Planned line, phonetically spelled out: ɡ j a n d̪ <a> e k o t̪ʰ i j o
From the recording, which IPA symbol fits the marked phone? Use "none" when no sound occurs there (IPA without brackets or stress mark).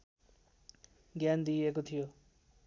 i